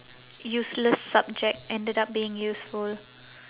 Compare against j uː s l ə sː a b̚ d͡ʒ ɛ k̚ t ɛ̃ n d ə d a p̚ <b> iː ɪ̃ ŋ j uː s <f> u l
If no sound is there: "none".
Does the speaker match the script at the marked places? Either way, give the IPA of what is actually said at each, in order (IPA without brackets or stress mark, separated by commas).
b, f